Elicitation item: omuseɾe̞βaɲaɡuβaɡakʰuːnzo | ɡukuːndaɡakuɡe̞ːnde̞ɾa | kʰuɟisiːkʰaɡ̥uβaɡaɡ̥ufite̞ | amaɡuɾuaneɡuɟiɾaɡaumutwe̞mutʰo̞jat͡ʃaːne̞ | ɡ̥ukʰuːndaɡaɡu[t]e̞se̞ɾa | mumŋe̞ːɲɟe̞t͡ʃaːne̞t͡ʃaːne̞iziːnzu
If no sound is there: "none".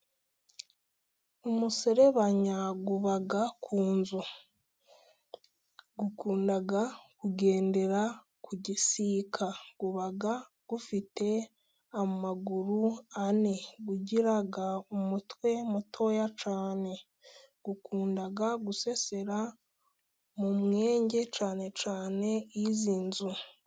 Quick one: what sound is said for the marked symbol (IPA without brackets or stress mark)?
s